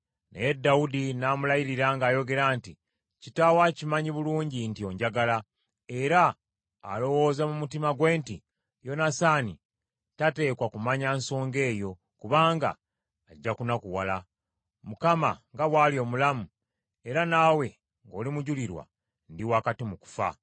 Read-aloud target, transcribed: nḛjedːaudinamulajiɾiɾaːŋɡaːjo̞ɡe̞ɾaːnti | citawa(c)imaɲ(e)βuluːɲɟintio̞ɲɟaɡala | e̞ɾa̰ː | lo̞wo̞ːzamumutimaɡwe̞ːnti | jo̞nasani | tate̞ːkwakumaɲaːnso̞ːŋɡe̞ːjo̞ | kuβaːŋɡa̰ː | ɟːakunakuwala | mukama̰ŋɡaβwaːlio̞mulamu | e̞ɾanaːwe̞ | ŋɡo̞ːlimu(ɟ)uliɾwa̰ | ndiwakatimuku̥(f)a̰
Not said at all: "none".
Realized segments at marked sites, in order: c, i, ɟ, f

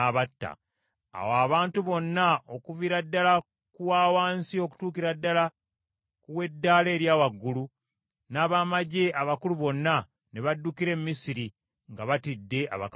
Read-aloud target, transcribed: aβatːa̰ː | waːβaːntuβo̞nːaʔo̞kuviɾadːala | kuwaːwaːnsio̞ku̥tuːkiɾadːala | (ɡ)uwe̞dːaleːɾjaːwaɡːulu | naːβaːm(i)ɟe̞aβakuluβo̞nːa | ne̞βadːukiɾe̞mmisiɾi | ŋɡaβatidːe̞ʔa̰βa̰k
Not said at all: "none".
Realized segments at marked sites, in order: k, a

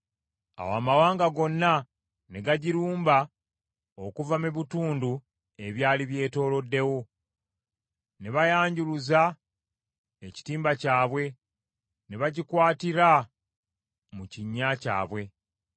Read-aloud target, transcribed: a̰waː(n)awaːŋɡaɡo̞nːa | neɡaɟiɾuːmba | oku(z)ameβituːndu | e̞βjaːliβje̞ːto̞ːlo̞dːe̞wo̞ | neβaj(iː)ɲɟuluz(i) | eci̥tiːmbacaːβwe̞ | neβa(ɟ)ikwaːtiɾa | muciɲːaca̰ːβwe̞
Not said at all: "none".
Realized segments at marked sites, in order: m, v, aː, a, ɟ

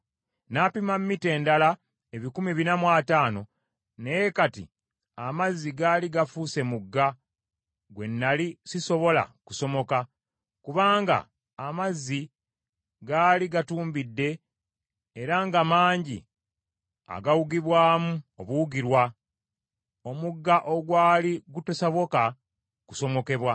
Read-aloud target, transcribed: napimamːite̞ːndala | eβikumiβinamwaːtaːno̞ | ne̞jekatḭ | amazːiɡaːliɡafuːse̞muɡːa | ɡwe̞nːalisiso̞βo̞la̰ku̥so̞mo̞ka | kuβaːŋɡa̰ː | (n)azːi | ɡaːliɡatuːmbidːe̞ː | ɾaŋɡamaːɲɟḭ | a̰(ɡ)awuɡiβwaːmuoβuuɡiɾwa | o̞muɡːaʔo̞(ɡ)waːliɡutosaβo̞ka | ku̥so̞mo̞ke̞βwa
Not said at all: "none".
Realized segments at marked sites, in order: m, ɡ, ɡ

